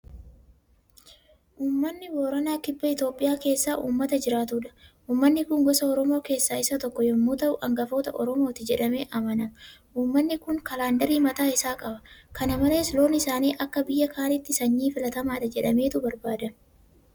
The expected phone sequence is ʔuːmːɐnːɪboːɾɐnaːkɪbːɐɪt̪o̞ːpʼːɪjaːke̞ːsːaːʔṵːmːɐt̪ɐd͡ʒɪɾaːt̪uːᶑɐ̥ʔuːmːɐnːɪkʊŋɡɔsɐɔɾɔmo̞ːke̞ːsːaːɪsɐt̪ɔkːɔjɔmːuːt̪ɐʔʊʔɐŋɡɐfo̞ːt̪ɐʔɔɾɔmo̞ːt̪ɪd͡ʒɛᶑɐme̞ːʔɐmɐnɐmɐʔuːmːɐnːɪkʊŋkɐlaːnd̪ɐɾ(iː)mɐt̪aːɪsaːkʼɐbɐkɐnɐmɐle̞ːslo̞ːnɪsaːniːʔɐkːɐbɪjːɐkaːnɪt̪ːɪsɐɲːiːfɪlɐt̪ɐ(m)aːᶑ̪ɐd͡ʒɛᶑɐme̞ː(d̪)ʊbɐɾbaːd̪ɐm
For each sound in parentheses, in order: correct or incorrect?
correct, correct, incorrect

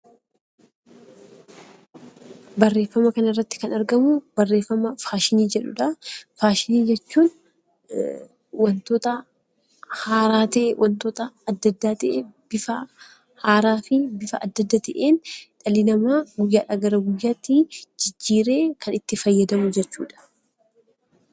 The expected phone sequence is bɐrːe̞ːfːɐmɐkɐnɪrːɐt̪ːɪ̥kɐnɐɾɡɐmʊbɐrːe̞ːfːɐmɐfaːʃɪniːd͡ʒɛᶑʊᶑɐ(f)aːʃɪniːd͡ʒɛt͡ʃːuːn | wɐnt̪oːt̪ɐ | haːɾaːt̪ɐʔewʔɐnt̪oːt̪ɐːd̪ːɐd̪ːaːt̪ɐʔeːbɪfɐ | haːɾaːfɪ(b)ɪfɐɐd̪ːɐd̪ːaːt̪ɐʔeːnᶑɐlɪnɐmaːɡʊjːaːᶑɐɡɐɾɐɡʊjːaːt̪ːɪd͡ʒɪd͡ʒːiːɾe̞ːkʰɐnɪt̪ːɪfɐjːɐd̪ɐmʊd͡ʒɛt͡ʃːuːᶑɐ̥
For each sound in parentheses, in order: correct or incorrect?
correct, correct

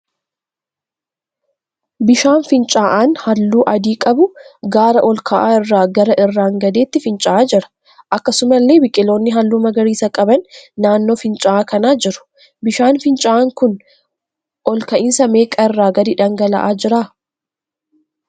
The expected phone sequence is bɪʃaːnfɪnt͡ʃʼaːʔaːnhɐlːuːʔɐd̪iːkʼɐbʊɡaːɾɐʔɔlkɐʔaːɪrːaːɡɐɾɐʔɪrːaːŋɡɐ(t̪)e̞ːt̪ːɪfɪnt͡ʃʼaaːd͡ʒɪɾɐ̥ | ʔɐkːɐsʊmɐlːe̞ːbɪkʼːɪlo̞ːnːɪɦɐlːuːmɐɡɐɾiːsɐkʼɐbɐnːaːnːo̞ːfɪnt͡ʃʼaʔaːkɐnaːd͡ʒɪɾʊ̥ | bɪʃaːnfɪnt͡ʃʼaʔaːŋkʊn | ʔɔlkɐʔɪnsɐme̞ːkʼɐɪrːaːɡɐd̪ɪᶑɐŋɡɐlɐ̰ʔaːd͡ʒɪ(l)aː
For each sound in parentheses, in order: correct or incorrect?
incorrect, incorrect

